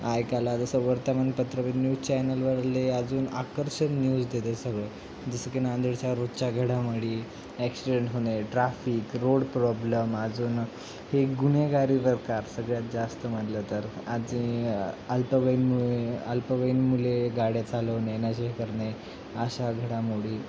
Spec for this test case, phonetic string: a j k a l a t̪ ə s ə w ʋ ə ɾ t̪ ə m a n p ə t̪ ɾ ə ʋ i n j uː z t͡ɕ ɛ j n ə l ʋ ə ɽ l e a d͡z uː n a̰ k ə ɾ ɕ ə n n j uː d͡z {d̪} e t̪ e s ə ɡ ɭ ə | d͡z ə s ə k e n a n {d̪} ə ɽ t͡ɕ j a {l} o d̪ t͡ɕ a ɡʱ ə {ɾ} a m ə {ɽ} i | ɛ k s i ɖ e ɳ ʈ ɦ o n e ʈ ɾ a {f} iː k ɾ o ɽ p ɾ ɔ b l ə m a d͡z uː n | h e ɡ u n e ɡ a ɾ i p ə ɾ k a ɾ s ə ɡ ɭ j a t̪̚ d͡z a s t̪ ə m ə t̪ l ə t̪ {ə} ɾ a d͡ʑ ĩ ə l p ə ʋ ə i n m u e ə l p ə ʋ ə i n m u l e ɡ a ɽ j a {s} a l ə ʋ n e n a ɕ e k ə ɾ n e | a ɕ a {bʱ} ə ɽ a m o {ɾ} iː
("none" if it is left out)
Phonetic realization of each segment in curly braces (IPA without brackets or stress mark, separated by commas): d̪, d̪, ɾ, ɽ, ɽ, f, ə, t͡s, ɡʱ, ɽ